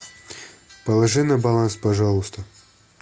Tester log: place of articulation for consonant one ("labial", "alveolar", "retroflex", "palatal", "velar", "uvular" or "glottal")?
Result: labial